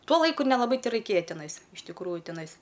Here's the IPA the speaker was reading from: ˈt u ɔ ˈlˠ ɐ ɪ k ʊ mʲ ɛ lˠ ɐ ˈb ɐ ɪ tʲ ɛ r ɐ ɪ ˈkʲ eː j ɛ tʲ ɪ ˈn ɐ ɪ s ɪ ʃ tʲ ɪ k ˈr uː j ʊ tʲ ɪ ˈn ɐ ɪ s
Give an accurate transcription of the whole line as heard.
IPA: ˈt u ɔ ˈlˠ ɐ ɪ k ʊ nʲ ɛ lˠ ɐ ˈb ɐ ɪ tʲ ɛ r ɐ ɪ ˈkʲ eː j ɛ tʲ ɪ ˈn ɐ ɪ s ɪ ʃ tʲ ɪ k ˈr uː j ʊ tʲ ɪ ˈn ɐ ɪ s